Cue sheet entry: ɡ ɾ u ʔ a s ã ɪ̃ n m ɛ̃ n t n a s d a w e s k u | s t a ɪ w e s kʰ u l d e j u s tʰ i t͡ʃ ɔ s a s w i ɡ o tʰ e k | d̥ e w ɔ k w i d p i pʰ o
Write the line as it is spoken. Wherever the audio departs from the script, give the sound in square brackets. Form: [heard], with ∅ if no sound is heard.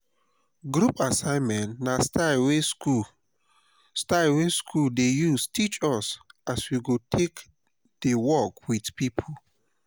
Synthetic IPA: ɡ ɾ u [p] a s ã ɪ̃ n m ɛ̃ n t n a s [t] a w e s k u | s t a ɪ w e s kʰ u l d e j u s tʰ i t͡ʃ ɔ s a s w i ɡ o tʰ e k | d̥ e w ɔ k w i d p i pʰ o